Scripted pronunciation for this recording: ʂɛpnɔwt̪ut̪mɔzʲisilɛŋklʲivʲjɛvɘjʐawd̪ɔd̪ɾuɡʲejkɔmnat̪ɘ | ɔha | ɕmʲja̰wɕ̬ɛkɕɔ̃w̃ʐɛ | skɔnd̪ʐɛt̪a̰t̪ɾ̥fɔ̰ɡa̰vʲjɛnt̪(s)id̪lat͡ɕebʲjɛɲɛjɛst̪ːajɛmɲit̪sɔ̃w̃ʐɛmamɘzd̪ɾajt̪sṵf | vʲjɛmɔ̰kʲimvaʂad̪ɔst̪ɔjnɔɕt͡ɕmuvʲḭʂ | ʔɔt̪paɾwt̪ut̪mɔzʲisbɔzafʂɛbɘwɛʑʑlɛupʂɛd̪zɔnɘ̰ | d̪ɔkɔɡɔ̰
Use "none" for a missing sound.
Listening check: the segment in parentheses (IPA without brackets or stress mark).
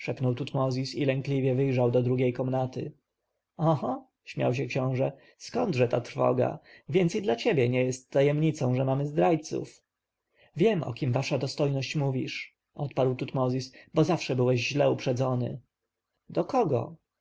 s